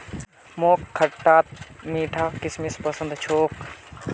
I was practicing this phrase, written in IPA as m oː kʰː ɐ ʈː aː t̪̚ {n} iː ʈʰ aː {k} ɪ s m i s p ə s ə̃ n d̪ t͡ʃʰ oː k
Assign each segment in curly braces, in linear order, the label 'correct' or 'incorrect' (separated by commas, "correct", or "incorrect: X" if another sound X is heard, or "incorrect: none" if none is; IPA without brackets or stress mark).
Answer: incorrect: m, correct